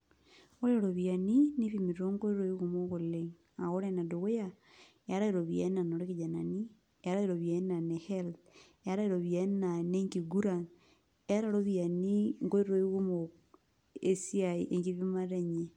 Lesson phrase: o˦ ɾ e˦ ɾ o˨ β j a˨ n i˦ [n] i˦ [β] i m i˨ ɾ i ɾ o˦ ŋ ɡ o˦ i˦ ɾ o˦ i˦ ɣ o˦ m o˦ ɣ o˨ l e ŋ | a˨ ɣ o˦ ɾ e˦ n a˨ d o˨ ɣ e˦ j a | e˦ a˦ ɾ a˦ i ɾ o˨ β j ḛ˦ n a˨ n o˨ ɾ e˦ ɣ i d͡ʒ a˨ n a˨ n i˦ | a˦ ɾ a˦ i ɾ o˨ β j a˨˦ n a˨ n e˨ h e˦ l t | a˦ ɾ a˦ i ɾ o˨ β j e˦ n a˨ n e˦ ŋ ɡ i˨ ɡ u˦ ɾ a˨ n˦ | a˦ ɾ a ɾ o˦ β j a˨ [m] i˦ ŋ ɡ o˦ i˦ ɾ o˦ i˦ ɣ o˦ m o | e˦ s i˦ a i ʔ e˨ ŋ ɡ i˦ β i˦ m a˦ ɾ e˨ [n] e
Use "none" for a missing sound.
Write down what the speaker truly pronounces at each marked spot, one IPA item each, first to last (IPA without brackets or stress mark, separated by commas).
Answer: n, β, n, ɲ